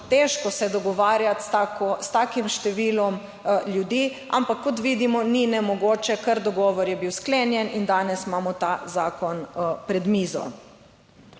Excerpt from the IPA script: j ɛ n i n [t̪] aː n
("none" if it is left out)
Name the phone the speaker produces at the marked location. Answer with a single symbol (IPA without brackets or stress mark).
d̪